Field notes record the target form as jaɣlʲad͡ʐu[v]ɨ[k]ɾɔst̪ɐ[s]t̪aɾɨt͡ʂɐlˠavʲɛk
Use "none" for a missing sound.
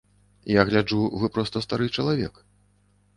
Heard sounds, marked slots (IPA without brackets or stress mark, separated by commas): v, p, s